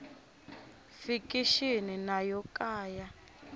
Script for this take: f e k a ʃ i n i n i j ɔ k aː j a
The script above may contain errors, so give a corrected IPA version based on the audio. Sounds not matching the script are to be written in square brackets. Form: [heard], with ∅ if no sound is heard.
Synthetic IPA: f [i] k [i] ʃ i n i n [a] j ɔ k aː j a